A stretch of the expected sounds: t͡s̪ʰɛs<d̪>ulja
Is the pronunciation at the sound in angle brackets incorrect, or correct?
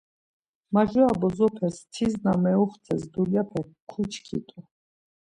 correct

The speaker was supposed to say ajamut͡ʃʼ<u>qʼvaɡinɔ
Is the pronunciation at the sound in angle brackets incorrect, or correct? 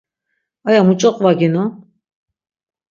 incorrect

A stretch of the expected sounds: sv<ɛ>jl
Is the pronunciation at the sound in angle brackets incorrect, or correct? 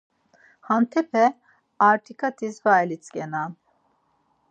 incorrect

